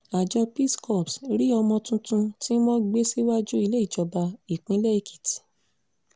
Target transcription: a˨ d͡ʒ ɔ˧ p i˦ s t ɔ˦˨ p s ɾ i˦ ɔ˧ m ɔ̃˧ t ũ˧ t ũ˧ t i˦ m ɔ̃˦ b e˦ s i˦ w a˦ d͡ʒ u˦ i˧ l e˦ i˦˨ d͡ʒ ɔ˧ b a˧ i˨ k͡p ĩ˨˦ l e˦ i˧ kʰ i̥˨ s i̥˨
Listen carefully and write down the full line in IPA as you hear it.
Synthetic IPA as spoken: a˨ d͡ʒ ɔ˧ p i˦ s k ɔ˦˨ p s ɾ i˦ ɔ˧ m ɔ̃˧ t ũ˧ t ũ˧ t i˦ m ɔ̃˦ ɡ͡b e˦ s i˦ w a˦ d͡ʒ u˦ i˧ l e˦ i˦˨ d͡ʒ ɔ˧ b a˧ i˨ k͡p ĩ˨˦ l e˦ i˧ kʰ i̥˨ t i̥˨